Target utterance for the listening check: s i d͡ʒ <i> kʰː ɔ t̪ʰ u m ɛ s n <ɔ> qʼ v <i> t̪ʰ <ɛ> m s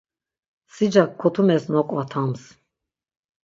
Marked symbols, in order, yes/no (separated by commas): no, yes, no, no